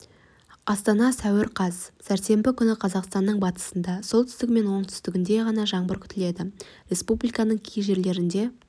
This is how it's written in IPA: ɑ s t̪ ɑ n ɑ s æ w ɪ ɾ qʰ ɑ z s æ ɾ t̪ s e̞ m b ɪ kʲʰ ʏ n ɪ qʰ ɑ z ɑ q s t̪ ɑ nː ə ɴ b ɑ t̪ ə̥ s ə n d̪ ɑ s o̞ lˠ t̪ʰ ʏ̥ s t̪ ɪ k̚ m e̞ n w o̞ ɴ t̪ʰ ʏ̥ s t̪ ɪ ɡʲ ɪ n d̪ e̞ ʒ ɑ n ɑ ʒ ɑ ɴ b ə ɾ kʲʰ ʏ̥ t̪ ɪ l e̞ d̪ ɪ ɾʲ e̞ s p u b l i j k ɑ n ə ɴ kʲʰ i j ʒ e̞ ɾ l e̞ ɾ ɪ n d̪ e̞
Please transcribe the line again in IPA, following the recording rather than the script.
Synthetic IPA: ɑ s t̪ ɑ n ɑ s æ w ɪ ɾ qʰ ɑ z s æ ɾ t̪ s e̞ m b ɪ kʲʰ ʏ n ɪ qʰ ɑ z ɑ q s t̪ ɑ nː ə ɴ b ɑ t̪ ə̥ s ə n d̪ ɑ s o̞ lˠ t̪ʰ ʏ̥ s t̪ ɪ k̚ m e̞ n w o̞ ɴ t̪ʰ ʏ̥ s t̪ ɪ ɡʲ ɪ n d̪ e̞ ʁ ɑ n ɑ ʒ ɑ ɴ b ə ɾ kʲʰ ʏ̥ t̪ ɪ l e̞ d̪ ɪ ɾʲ e̞ s p u b l i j k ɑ n ə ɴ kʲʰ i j ʒ e̞ ɾ l e̞ ɾ ɪ n d̪ e̞